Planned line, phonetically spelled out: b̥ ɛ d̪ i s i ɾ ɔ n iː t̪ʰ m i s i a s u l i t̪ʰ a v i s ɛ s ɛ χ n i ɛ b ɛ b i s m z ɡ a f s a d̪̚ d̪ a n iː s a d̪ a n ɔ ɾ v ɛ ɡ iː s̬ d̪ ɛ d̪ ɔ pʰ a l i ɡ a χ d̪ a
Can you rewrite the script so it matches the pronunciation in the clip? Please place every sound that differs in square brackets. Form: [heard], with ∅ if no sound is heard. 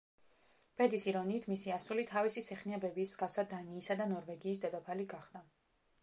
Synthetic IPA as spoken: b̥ ɛ d̪ i s i ɾ ɔ n iː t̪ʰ m i s i a s u l i t̪ʰ a v i s [i] s ɛ χ n i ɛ b ɛ b i s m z ɡ a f s a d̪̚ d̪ a n iː s a d̪ a n ɔ ɾ v ɛ ɡ iː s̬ d̪ ɛ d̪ ɔ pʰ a l i ɡ a χ d̪ a